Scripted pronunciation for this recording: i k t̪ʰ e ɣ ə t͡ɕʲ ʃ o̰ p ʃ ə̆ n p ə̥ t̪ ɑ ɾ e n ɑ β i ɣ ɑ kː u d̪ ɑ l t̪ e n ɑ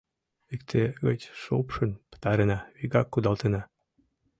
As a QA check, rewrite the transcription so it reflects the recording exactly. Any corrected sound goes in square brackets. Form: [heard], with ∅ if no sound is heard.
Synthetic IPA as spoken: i k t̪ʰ e ɣ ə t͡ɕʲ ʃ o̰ p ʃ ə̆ n p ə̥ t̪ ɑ ɾ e n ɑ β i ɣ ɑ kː u d̪ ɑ l t̪ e n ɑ